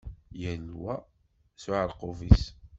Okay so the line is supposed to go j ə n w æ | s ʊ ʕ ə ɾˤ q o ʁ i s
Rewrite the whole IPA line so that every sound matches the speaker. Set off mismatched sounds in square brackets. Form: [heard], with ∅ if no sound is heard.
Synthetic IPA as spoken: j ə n w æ | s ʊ ʕ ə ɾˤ q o [v] i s